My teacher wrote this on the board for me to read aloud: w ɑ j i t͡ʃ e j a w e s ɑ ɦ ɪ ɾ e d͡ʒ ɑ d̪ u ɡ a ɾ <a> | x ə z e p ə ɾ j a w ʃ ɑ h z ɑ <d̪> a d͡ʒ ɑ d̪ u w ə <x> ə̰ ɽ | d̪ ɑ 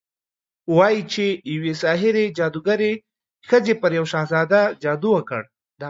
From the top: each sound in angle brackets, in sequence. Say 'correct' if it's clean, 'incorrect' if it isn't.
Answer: incorrect, correct, incorrect

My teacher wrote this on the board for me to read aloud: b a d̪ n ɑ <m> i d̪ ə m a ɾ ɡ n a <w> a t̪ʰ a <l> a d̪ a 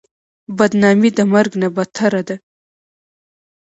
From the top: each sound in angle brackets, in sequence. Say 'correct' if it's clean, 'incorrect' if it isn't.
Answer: correct, incorrect, incorrect

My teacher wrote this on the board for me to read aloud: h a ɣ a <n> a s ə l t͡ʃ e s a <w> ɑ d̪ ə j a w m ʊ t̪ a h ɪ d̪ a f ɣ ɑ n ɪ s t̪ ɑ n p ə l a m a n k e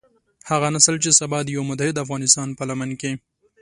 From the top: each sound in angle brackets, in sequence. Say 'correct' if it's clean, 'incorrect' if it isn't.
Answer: correct, incorrect

